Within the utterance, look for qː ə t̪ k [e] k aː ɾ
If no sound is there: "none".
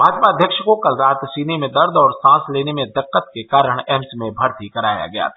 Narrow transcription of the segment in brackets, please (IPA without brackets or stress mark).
e